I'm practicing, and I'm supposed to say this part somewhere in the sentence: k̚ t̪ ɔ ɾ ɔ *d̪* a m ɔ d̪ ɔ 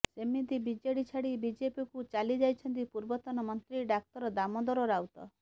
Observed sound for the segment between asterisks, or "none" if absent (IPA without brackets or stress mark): d̪